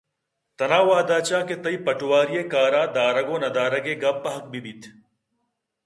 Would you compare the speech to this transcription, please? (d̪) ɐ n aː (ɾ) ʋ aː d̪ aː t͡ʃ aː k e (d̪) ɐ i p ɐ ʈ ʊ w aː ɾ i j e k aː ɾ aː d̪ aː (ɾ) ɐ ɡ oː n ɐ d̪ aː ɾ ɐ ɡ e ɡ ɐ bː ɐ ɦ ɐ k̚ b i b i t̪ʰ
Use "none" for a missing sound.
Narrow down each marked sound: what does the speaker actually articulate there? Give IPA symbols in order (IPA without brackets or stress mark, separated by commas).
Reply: t̪, none, t̪, ɾ